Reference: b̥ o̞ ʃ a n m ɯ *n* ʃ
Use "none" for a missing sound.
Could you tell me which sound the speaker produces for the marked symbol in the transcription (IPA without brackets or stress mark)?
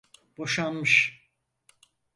none